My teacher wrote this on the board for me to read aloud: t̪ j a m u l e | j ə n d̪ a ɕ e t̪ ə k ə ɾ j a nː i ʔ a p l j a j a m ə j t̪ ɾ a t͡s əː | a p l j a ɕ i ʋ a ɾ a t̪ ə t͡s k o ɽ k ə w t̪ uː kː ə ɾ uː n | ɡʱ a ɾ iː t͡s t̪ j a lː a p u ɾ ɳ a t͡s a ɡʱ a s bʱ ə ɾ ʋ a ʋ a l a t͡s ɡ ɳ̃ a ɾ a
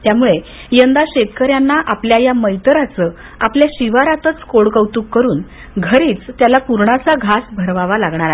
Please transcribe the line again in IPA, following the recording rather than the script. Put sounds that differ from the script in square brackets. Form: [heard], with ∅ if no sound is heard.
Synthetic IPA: t̪ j a m u [ɭ] e | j ə n d̪ a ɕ e t̪ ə k ə ɾ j a nː [a] ʔ a p l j a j a m ə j t̪ ɾ a t͡s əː | a p l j a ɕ i ʋ a ɾ a t̪ ə t͡s k o ɽ k ə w t̪ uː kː ə ɾ uː n | ɡʱ [ə] ɾ iː t͡s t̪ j a [l] a p u ɾ ɳ a t͡s a ɡʱ a s bʱ ə ɾ ʋ a ʋ a l a [∅] ɡ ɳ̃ a ɾ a